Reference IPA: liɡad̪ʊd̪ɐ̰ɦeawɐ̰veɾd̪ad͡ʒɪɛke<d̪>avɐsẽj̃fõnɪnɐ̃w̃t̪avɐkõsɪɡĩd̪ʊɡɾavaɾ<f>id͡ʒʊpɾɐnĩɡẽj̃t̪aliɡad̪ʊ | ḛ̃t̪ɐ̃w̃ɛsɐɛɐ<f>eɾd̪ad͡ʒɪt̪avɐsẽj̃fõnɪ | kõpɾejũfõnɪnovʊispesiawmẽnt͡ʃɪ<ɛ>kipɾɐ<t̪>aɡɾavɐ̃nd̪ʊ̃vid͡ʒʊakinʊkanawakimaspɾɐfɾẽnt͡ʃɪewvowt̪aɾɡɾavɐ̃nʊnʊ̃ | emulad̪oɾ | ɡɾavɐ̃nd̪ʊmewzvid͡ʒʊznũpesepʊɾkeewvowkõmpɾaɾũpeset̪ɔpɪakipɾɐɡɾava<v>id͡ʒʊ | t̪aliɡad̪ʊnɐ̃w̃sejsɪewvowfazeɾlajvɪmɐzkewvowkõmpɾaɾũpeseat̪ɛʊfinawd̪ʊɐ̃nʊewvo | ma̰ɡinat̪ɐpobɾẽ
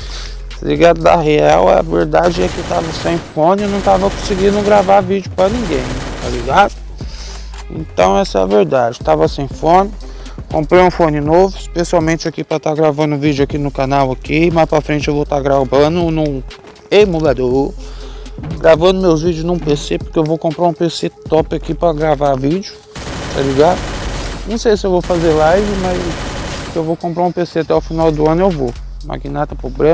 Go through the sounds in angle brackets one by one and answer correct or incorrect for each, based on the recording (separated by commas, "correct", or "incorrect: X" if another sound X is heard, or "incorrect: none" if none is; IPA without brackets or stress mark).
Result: incorrect: t̪, incorrect: v, incorrect: v, incorrect: a, correct, correct